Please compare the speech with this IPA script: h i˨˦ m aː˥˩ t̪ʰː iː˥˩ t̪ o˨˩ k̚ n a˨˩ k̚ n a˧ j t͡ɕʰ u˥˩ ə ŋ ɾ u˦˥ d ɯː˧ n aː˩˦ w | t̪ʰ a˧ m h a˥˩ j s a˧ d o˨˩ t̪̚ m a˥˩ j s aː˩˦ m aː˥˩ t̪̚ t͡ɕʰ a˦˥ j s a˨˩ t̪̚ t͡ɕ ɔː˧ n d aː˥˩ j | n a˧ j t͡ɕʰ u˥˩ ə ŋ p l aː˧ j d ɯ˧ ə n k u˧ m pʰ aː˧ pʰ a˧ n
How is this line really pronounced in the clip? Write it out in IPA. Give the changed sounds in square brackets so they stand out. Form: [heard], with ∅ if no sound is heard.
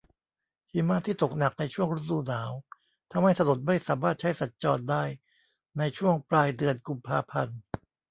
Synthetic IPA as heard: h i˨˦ m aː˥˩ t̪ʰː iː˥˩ t̪ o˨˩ k̚ n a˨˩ k̚ n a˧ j t͡ɕʰ u˥˩ ə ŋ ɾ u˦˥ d [uː˧] n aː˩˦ w | t̪ʰ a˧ m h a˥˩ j s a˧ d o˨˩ t̪̚ m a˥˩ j s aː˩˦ m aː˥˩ t̪̚ t͡ɕʰ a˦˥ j s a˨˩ t̪̚ t͡ɕ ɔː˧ n d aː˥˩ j | n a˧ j t͡ɕʰ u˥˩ ə ŋ p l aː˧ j d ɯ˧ ə n k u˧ m pʰ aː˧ pʰ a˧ n